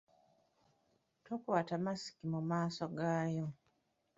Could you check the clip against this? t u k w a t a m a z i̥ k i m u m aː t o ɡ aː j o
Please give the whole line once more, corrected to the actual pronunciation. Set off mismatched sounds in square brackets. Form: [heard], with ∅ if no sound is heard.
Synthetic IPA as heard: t [o] k w a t a m a [s] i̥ k i m u m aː [s] o ɡ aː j o